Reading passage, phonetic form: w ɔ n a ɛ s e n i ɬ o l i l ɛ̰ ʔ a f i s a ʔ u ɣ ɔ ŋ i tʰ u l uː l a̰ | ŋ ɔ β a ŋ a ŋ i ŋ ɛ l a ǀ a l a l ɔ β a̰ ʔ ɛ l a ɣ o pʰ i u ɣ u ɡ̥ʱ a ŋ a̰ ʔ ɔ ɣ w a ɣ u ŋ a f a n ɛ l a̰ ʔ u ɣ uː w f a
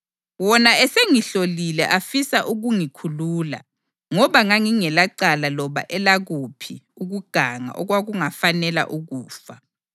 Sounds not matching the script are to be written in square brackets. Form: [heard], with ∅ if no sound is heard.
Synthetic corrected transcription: w ɔ n a ɛ s e [ŋ] i ɬ o l i l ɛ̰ ʔ a f i s a ʔ u ɣ [u] ŋ i [kʰ] u l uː l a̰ | ŋ ɔ β a ŋ a ŋ i ŋ ɛ l a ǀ a l a l ɔ β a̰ ʔ ɛ l a ɣ [u] pʰ i u ɣ u ɡ̥ʱ a ŋ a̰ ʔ ɔ ɣ w a ɣ u ŋ a f a n ɛ l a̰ ʔ u ɣ uː [∅] f a